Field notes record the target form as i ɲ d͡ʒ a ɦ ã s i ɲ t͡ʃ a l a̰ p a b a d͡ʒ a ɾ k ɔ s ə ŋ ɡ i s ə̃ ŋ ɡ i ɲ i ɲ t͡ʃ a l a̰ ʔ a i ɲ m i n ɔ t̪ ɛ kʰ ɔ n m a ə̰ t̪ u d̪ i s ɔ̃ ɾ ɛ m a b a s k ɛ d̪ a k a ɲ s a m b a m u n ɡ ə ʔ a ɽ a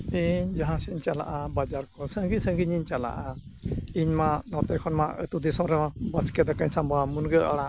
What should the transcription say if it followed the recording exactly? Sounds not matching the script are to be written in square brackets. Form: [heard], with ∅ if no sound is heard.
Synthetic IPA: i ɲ d͡ʒ a ɦ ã s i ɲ t͡ʃ a l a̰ [ʔ] a b a d͡ʒ a ɾ k ɔ s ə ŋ ɡ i s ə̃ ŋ ɡ i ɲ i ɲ t͡ʃ a l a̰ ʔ a i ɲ m [a] n ɔ t̪ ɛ kʰ ɔ n m a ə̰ t̪ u d̪ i s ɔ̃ ɾ ɛ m a b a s k ɛ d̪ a k a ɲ s a m b a m u n ɡ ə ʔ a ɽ a

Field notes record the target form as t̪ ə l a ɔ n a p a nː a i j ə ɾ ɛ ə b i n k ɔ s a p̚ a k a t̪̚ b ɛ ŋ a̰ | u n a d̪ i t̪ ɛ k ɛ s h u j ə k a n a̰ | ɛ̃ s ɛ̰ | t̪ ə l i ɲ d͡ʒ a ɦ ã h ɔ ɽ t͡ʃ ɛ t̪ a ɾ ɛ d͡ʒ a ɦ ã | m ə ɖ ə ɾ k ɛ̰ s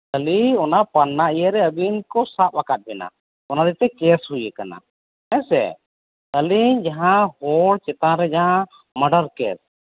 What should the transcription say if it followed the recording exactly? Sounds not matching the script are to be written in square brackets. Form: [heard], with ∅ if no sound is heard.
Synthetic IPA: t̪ ə l [i] ɔ n a p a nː a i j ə ɾ ɛ ə b i n k ɔ s a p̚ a k a t̪̚ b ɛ [n] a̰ | [ɔ] n a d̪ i t̪ ɛ k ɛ s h u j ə k a n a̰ | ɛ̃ s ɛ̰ | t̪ ə l i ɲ d͡ʒ a ɦ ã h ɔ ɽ t͡ʃ ɛ t̪ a ɾ ɛ d͡ʒ a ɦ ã | m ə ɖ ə ɾ k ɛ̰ s

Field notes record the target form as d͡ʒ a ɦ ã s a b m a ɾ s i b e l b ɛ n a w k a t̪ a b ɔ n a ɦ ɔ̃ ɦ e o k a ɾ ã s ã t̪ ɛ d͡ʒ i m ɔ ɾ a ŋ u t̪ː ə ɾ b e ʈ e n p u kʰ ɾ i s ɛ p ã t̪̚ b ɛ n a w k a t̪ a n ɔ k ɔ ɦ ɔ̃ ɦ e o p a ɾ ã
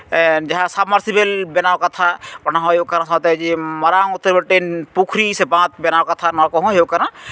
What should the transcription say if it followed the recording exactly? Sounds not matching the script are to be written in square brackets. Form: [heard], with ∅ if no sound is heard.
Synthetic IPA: d͡ʒ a ɦ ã s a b m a ɾ s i b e l b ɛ n a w k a [t̪ʰ] a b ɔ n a ɦ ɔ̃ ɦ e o k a ɾ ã s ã t̪ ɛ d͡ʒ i m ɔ ɾ a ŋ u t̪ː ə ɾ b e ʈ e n p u kʰ ɾ i s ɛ [b] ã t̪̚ b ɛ n a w k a [t̪ʰ] a n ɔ k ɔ ɦ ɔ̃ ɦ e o [k] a ɾ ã

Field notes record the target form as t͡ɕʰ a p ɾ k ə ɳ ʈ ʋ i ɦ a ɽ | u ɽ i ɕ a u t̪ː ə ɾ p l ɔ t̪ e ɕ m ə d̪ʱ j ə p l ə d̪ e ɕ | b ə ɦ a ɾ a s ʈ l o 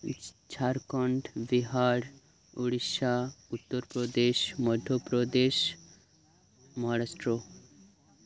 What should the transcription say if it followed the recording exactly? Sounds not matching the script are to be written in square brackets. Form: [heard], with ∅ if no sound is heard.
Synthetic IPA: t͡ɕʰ a [∅] ɾ k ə ɳ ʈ ʋ i ɦ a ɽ | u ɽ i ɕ a u t̪ː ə ɾ p [ɾ] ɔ [d̪] e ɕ m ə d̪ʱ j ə p [ɾ] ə d̪ e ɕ | [m] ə ɦ a ɾ a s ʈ [ɾ] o

